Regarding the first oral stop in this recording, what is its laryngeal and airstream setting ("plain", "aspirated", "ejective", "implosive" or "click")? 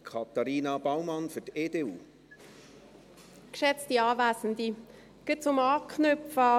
aspirated